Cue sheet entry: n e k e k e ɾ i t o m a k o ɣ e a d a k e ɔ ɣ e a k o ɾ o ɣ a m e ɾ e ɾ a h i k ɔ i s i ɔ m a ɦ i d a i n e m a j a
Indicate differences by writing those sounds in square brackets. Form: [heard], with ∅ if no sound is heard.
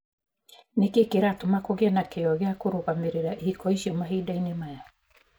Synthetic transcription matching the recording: n e k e k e ɾ [a] t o m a k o ɣ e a [n] a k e ɔ ɣ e a k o ɾ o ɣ a m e ɾ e ɾ a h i k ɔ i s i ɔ m a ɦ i d a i n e m a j a